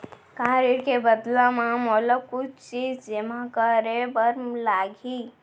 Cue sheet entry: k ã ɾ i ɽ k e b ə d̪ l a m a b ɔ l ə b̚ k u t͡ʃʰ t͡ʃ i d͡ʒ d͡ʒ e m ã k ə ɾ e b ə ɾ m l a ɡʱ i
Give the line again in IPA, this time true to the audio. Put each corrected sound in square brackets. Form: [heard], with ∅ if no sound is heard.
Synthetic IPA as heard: k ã ɾ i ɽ k e b ə d̪ l a m a [m] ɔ l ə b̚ k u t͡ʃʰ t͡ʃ i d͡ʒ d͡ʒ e m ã k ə ɾ e b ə ɾ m l a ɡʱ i